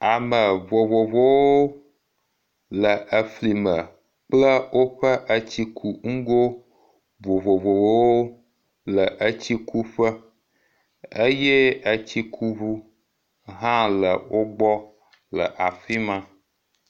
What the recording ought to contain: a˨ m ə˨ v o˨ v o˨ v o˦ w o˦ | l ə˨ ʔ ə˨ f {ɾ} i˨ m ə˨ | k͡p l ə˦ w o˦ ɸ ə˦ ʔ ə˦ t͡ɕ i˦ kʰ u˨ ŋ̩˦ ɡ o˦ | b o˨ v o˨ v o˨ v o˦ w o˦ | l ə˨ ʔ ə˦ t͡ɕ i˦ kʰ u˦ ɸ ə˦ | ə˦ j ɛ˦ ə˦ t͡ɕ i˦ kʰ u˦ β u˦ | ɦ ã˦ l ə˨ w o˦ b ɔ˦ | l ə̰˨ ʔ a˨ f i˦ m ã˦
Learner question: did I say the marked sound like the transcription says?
no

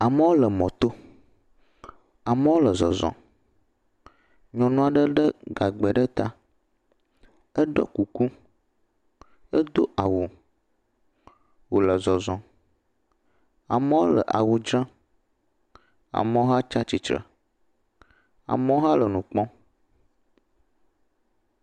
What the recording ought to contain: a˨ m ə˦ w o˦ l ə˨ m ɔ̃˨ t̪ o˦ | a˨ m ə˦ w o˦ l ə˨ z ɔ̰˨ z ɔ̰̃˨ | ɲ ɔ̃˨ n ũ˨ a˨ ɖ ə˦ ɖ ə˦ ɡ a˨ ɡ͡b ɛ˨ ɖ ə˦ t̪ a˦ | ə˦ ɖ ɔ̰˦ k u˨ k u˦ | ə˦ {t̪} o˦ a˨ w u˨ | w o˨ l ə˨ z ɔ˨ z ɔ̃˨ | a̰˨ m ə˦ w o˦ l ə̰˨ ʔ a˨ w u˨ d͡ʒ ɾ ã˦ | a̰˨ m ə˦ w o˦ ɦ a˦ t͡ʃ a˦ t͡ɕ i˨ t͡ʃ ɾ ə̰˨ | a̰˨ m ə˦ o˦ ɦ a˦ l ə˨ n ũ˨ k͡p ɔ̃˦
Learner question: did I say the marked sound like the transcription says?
no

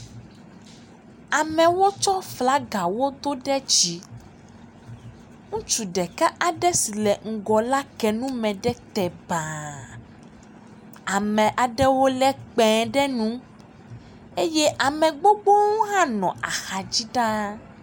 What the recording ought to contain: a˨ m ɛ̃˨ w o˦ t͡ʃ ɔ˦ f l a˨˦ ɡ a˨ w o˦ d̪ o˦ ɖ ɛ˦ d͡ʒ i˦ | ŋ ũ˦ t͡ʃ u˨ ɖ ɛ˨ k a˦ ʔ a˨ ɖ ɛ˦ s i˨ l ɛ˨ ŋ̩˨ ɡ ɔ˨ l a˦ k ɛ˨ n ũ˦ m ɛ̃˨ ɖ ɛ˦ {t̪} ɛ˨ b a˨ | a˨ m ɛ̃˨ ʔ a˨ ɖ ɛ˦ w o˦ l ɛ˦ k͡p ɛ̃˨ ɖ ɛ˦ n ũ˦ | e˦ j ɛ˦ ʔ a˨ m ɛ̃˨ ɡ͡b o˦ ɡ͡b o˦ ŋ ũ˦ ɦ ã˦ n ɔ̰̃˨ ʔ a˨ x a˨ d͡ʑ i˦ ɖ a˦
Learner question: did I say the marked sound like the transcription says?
yes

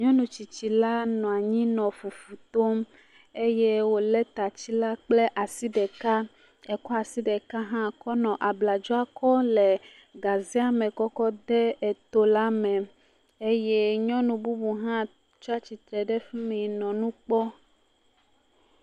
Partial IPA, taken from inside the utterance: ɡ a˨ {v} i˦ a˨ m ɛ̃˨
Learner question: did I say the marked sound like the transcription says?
no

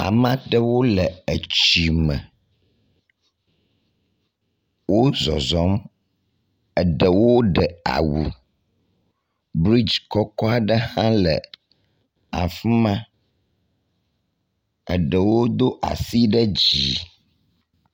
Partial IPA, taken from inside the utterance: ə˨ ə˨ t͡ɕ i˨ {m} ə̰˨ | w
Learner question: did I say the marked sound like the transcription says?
yes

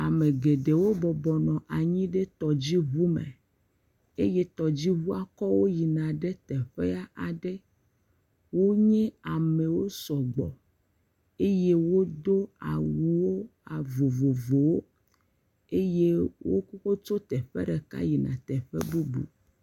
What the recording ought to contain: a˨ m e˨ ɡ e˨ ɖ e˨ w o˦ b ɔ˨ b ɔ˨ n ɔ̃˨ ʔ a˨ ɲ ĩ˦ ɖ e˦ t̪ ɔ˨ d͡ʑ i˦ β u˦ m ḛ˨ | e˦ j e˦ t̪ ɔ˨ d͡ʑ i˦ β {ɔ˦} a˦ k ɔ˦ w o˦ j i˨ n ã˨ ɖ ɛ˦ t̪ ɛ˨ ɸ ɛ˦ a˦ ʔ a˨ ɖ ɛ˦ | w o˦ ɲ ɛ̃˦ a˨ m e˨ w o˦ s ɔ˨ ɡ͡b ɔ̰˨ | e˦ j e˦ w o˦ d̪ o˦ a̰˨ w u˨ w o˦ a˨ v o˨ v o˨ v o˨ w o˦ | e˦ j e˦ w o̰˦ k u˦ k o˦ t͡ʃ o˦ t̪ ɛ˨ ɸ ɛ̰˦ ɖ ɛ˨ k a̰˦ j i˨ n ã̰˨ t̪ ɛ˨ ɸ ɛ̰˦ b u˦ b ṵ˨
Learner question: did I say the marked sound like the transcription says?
no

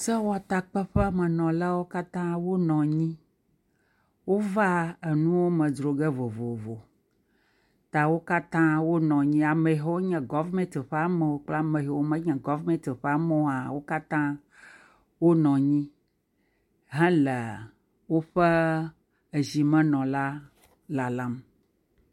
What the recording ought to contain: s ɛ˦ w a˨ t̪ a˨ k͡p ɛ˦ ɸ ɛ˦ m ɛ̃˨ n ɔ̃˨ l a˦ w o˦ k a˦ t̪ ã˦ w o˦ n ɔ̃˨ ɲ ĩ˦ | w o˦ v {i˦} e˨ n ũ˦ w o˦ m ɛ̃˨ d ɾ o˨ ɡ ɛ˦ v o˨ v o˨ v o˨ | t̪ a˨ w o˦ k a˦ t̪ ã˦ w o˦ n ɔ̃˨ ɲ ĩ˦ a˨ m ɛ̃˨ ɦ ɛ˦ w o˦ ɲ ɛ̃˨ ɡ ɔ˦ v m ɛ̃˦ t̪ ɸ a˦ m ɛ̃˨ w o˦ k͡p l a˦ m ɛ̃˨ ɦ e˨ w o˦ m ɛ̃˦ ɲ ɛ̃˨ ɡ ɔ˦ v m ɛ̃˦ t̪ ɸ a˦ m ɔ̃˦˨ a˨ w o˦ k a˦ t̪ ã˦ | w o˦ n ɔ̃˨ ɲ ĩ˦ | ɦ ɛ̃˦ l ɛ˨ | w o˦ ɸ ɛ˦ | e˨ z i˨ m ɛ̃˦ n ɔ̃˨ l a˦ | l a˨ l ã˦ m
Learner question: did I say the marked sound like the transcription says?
no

